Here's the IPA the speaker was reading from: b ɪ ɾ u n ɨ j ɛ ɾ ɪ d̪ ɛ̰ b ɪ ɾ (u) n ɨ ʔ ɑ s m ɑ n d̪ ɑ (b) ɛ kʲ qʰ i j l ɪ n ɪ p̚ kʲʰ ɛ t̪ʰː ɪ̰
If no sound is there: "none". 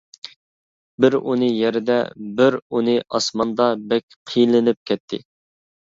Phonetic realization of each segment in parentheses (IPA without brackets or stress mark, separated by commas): u, b